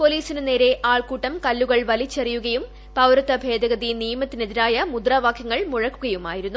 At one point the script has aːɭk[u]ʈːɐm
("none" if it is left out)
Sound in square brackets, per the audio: uː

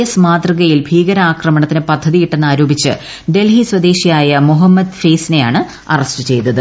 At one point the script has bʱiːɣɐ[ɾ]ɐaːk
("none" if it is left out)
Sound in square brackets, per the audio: ɾ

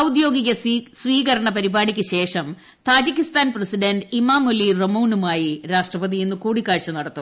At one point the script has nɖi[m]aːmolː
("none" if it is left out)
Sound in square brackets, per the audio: m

